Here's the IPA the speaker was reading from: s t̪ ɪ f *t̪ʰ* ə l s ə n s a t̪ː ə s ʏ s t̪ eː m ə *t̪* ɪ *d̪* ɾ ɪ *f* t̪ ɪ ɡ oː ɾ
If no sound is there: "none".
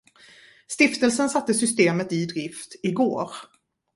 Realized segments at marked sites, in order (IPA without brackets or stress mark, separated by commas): t̪, t̪, d̪, f